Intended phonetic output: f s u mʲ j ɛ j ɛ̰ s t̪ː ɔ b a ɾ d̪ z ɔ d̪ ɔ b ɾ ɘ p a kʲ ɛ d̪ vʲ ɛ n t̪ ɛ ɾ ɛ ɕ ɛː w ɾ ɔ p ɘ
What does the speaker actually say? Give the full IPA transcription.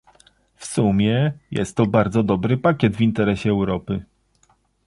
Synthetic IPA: f s u mʲ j ɛ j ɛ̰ s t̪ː ɔ b a ɾ d̪ z ɔ d̪ ɔ b ɾ ɘ p a kʲ ɛ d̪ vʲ i n t̪ ɛ ɾ ɛ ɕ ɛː w ɾ ɔ p ɘ